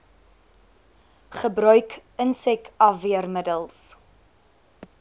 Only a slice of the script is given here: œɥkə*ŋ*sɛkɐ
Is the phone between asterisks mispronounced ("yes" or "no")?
yes